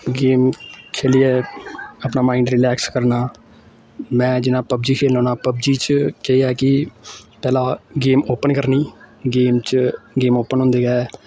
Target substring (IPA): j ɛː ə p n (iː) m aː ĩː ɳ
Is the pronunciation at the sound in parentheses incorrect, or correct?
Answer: incorrect